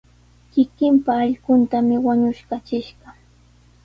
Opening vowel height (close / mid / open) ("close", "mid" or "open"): close